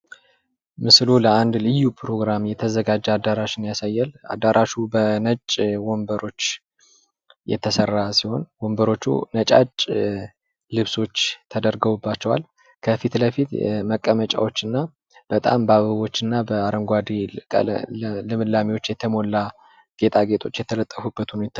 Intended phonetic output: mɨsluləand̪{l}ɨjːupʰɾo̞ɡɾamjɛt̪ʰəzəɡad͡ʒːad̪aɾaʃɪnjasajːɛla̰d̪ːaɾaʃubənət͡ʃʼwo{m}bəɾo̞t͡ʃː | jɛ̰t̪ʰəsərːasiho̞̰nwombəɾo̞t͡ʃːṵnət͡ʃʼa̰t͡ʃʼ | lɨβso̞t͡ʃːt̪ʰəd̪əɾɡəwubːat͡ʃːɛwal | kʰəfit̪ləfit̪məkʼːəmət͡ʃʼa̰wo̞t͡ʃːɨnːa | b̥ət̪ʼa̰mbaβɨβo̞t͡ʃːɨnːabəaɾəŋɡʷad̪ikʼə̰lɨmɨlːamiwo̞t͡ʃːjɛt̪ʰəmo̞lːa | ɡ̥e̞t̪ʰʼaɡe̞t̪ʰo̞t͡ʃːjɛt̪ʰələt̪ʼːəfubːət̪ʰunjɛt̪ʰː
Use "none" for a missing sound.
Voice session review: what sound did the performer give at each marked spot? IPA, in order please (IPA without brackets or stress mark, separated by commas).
l, m